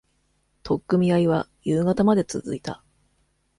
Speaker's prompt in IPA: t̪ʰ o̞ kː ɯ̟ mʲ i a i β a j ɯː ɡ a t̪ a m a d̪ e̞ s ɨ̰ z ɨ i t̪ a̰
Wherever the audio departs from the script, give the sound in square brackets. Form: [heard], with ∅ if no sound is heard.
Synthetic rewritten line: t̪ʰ o̞ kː ɯ̟ mʲ i a i β a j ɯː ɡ a t̪ a m a d̪ e̞ [t͡s] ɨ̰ z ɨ i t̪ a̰